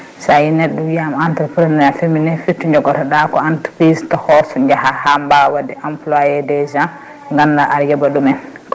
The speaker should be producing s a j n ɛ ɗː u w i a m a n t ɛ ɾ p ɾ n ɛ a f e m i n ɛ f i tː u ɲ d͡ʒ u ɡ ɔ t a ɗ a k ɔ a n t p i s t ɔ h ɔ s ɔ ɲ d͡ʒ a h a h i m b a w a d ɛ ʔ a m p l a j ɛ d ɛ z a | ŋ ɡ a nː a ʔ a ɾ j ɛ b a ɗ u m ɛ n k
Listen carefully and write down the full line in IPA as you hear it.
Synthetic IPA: s a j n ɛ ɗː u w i a m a n t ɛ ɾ p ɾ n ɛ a f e m i n ɛ f i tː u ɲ d͡ʒ ɔ ɡ ɔ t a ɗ a k ɔ a n t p i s t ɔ h ɔ s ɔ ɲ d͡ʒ a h a h a m b a w a d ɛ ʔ a m p l a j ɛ d ɛ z a | ŋ ɡ a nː a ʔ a ɾ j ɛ b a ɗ u m ɛ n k